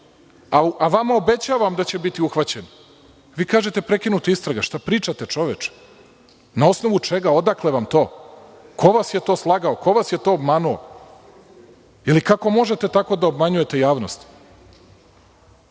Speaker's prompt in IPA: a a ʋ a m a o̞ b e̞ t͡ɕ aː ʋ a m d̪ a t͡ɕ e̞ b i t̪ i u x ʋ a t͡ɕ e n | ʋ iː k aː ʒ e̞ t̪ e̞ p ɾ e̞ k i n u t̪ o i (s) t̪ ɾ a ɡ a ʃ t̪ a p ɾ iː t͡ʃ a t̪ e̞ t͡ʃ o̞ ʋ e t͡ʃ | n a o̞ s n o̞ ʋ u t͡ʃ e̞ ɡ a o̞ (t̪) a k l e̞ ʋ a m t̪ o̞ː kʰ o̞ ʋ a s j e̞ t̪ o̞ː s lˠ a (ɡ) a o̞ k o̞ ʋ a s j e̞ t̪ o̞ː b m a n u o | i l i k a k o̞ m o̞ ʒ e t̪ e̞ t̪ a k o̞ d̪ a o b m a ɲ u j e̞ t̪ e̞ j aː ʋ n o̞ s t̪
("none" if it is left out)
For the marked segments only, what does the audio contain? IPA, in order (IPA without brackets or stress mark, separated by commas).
s, d̪, ɡ